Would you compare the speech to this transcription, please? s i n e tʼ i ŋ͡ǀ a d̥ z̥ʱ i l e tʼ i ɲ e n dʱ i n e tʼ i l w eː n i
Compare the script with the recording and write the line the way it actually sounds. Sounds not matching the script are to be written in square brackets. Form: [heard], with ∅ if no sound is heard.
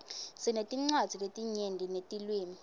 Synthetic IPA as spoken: s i n e tʼ i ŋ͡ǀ a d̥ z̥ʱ i l e tʼ i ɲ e n dʱ i n e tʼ i l w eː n i